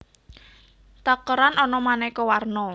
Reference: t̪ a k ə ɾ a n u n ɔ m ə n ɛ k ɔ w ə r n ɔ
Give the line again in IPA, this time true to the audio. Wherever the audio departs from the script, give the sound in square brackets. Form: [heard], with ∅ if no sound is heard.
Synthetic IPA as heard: t̪ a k ə ɾ a n [ɔ] n ɔ m [a] n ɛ k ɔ w [a] r n ɔ